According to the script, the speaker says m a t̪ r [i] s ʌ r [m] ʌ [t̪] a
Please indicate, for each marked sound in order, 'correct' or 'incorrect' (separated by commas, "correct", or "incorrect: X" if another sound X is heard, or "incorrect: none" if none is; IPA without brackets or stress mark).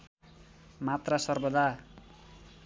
incorrect: a, incorrect: b, incorrect: d̪